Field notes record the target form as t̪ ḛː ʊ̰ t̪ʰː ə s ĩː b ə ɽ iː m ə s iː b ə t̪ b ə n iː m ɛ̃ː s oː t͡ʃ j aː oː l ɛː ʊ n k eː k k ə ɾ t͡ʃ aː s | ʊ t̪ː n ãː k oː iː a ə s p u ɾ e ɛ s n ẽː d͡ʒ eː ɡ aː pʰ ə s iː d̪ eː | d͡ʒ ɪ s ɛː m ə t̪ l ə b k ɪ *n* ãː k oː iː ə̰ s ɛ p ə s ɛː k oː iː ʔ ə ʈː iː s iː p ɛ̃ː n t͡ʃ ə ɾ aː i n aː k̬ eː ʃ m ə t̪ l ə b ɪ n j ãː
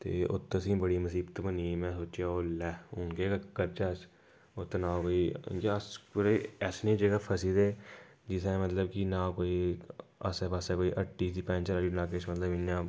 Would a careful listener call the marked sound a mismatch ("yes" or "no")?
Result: no